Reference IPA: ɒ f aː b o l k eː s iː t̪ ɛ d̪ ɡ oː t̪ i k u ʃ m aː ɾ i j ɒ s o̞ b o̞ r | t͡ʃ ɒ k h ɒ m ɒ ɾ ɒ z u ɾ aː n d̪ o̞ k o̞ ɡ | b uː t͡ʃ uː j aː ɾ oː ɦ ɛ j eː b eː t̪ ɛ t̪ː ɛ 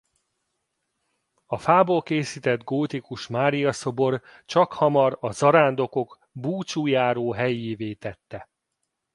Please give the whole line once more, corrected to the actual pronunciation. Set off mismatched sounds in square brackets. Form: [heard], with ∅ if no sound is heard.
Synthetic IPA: ɒ f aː b o l k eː s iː t̪ ɛ d̪ ɡ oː t̪ i k u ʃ m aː ɾ i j ɒ s o̞ b o̞ r | t͡ʃ ɒ k h ɒ m ɒ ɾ ɒ z [ɒ] ɾ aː n d̪ o̞ k o̞ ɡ | b uː t͡ʃ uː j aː ɾ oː ɦ ɛ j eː [v] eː t̪ ɛ t̪ː ɛ